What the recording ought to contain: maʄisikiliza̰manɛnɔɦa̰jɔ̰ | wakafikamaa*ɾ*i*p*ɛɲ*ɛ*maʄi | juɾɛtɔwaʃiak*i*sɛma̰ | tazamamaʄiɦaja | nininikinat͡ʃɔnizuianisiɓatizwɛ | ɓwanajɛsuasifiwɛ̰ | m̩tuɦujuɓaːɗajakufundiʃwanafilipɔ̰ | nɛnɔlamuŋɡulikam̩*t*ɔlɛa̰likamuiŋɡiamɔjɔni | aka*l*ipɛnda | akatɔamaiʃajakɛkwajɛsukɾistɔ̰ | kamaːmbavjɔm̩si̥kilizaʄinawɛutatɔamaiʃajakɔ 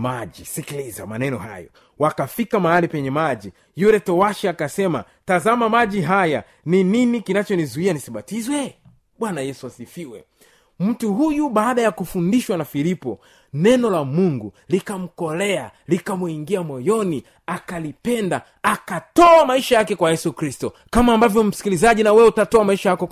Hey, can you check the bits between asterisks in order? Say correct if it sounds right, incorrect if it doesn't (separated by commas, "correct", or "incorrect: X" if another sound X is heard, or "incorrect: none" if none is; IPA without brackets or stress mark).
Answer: incorrect: l, correct, correct, incorrect: a, incorrect: k, correct